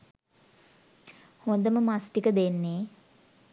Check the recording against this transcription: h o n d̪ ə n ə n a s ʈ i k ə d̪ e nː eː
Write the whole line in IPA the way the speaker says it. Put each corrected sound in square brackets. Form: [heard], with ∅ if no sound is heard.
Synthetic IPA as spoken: h o n d̪ ə [m] ə [m] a s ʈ i k ə d̪ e nː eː